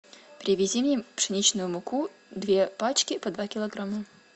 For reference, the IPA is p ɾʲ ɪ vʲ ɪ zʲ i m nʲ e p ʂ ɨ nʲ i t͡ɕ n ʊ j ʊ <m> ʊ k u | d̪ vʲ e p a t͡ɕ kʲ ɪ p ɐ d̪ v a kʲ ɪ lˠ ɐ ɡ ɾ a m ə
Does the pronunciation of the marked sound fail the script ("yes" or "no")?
no